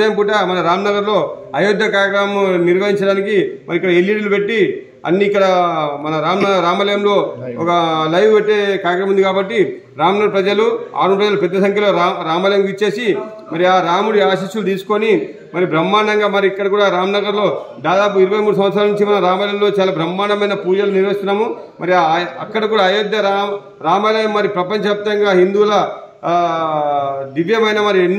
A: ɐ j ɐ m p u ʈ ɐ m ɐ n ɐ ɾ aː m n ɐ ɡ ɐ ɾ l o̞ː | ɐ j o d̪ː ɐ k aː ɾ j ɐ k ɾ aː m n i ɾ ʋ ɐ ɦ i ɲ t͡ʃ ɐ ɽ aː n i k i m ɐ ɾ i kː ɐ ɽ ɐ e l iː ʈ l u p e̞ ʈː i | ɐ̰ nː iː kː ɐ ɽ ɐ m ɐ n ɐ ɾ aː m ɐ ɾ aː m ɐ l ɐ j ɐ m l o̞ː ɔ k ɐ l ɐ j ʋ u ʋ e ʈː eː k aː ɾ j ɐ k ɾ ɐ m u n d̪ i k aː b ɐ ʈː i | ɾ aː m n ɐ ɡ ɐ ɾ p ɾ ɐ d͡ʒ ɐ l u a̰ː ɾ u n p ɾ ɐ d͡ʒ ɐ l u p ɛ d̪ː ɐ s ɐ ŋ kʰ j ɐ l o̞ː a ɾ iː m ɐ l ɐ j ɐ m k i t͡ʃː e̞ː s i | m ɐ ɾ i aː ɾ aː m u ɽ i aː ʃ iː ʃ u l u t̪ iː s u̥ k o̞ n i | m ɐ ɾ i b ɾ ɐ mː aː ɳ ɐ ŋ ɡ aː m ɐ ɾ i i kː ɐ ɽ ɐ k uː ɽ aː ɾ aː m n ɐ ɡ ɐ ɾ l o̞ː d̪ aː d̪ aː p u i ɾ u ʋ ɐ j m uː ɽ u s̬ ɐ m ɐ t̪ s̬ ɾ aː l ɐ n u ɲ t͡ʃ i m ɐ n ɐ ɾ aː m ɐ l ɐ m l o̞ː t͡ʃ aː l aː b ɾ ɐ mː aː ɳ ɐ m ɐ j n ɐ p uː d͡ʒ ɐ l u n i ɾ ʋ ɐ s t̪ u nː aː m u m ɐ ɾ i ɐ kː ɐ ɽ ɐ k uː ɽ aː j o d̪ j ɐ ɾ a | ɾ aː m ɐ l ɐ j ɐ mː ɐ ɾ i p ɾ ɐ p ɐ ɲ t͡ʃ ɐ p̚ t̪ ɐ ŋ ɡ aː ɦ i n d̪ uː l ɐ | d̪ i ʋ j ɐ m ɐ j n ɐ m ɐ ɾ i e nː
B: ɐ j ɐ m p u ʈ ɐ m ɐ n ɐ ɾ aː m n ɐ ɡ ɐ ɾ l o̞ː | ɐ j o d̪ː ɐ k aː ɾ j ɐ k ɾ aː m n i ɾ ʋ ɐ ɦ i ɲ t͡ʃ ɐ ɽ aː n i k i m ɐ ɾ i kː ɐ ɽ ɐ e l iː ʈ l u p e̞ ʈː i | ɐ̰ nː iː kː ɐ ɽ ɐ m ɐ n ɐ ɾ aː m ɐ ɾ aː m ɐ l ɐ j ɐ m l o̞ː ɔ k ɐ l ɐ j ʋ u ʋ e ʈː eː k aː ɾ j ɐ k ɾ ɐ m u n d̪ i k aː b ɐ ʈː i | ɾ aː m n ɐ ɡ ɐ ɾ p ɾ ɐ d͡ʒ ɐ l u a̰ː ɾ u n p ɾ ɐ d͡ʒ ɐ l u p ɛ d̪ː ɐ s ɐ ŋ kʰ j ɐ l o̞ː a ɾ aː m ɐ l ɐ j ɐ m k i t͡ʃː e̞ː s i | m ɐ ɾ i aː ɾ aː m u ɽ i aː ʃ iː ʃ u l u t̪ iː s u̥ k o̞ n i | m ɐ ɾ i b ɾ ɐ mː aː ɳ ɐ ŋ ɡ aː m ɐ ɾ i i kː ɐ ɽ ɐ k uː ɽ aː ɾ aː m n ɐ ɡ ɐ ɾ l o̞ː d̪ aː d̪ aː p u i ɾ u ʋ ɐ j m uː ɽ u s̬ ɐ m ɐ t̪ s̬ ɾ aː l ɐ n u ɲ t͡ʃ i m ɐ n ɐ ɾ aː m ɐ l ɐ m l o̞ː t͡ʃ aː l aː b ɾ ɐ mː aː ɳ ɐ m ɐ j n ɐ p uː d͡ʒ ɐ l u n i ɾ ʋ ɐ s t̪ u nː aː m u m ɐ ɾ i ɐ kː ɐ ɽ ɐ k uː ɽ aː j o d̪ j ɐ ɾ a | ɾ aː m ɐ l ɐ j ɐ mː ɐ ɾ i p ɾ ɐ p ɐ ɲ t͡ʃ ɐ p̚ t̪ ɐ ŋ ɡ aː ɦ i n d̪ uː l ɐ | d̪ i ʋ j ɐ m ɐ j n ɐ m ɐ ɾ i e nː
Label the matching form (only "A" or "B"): B